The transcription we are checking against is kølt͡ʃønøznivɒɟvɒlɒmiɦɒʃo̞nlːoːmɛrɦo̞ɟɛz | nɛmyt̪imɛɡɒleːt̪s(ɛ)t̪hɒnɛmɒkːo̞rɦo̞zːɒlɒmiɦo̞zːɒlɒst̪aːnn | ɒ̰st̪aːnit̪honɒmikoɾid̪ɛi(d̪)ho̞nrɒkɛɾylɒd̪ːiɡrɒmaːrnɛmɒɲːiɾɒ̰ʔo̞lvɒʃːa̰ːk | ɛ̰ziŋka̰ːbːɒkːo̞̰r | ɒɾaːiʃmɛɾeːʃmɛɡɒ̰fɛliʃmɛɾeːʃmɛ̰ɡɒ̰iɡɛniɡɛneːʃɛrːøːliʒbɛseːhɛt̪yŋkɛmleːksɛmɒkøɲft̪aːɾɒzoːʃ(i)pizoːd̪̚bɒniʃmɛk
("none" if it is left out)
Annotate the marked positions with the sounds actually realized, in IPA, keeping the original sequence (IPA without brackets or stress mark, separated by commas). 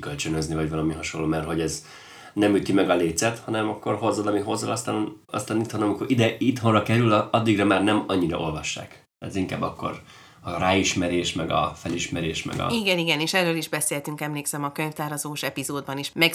ɛ, t̪, ɛ